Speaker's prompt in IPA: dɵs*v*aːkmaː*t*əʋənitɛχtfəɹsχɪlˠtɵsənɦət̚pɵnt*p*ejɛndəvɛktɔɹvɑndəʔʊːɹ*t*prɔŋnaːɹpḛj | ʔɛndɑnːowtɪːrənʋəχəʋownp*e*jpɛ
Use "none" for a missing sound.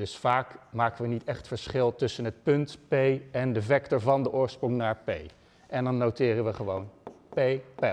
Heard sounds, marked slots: f, k, p, s, e

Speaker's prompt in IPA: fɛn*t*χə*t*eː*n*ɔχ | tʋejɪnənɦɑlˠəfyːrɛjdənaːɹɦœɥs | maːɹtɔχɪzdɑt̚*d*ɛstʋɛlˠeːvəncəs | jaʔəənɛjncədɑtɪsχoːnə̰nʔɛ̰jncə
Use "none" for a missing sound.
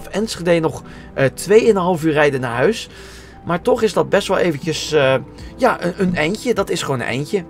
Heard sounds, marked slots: s, d, n, b

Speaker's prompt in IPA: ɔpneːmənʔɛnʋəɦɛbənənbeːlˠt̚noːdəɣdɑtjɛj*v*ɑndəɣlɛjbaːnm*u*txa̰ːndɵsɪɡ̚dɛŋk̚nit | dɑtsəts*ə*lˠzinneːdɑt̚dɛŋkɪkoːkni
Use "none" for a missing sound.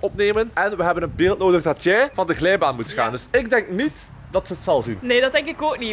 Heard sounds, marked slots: v, u, ɑ

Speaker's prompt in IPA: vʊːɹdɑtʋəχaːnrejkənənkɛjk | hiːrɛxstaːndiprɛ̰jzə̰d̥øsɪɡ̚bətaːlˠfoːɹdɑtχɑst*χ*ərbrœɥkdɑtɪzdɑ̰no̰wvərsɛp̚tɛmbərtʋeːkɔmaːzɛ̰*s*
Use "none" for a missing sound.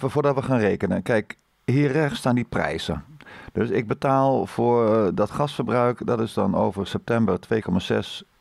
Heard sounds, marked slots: f, s

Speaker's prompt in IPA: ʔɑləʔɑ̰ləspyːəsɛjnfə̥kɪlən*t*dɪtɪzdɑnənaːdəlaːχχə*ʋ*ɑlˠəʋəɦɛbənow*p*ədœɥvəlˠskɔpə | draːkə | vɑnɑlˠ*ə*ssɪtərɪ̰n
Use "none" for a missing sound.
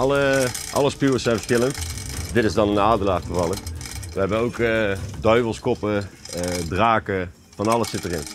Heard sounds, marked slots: t, v, k, ə

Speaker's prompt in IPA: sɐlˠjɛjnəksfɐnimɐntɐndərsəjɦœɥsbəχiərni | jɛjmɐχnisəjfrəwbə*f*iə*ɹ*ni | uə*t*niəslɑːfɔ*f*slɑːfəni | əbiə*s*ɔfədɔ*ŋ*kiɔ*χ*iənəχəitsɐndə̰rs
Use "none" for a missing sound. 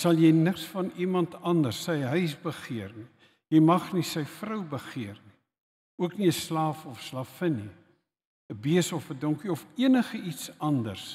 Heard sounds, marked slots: χ, r, k, f, s, ŋ, f

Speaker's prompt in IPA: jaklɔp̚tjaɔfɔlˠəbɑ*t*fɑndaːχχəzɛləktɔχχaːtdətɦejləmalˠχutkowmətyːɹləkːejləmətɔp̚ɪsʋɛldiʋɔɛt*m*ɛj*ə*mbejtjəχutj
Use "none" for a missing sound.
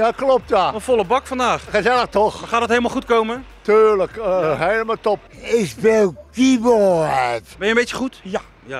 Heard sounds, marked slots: k, b, ə

